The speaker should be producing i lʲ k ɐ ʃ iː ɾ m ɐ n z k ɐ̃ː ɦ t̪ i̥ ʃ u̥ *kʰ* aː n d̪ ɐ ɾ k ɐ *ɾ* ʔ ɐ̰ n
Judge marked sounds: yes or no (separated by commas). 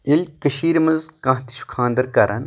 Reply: yes, yes